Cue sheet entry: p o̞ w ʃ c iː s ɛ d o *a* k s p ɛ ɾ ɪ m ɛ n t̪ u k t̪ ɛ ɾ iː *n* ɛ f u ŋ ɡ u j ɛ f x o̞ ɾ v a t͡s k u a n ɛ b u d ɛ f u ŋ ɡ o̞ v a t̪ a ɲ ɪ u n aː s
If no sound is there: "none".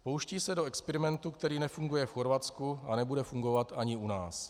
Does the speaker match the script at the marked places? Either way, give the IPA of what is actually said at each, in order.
ɛ, n

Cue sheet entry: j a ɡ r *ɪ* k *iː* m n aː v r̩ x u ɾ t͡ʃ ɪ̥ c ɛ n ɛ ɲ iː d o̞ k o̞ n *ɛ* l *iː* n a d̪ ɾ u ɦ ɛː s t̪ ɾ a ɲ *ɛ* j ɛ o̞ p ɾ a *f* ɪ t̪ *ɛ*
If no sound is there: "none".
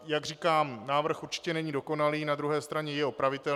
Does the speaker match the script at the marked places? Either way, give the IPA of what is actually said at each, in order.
i, aː, a, iː, ɛ, v, ɛ

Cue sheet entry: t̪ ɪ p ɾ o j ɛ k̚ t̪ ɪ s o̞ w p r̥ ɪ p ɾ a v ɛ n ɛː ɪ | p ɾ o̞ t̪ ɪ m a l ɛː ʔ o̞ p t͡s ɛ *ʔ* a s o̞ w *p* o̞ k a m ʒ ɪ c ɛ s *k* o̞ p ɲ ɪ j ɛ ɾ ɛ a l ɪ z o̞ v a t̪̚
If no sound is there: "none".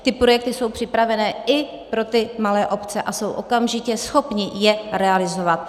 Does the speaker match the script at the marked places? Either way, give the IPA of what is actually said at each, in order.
ʔ, ʔ, x

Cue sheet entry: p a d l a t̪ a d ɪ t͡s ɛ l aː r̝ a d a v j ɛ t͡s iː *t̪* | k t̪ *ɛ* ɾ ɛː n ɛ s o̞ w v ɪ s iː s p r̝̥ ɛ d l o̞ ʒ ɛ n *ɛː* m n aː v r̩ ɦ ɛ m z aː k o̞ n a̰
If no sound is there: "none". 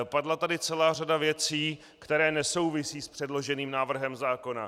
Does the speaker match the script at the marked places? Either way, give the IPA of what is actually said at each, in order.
none, ɛ, iː

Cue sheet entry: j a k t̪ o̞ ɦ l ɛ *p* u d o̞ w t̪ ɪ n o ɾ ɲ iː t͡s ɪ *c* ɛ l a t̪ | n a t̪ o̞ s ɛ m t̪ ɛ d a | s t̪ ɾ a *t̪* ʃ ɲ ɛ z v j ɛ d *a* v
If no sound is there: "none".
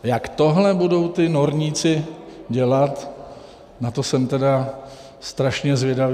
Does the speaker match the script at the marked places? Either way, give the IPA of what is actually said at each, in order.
b, ɟ, none, a

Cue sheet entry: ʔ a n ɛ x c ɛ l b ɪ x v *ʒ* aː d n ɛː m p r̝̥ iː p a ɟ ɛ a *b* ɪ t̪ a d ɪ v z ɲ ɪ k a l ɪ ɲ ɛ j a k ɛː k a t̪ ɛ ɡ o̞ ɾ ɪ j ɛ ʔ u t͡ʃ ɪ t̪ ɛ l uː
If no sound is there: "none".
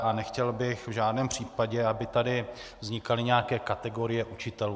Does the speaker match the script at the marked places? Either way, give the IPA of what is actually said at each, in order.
ʒ, b

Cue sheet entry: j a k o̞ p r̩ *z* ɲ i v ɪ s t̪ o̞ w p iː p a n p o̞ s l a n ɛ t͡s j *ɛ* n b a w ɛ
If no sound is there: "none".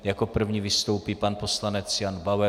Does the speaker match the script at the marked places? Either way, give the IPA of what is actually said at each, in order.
v, a

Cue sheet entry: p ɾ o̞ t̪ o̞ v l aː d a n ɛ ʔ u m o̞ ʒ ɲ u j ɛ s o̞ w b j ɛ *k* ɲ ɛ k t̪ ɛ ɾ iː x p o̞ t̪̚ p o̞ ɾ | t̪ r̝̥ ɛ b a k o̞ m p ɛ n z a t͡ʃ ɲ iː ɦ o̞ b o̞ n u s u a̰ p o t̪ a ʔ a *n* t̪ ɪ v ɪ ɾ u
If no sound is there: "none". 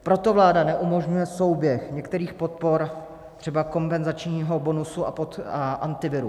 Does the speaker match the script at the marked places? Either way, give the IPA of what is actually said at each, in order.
x, n

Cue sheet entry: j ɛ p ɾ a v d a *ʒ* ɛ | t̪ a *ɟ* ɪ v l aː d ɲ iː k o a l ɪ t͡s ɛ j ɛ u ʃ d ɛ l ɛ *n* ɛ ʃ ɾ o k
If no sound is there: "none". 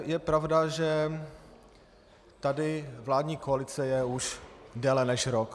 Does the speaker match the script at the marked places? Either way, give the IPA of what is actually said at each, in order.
ʒ, d, n

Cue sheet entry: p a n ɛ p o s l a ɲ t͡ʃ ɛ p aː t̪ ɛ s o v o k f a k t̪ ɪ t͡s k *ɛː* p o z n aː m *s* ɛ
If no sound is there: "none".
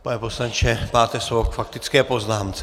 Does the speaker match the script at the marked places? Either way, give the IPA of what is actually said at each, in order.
ɛː, t͡s

